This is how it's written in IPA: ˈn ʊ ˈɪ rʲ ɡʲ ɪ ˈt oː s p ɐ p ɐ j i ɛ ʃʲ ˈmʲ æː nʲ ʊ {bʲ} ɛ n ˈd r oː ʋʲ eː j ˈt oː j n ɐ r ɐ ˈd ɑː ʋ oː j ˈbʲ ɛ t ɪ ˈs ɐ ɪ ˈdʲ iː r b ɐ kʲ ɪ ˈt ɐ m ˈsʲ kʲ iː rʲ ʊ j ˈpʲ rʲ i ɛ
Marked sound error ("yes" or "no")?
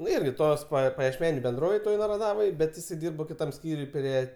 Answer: no